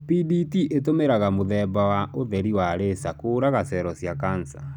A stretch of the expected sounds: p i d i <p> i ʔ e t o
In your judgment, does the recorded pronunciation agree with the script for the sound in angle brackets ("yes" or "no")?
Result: no